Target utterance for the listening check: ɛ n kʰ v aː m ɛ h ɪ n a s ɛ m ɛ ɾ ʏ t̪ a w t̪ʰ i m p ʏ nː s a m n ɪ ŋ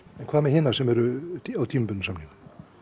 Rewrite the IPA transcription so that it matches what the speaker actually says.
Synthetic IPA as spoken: ɛ n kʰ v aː m ɛ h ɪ n a s ɛ m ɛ ɾ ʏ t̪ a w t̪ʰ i m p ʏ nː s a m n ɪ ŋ

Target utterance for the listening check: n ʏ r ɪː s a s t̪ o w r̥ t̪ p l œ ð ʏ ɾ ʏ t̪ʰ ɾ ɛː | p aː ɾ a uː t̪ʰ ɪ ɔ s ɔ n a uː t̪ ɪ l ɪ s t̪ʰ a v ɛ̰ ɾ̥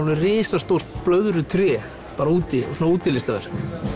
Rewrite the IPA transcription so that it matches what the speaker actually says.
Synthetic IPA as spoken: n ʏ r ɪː s a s t̪ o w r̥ t̪ p l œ ð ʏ ɾ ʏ t̪ʰ ɾ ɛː | p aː ɾ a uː t̪ ɪ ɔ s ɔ n a uː t̪ ɪ l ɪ s t̪ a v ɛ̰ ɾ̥

